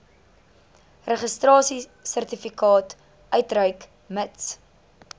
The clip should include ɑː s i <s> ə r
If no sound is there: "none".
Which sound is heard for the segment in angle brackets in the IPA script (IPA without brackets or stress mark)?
s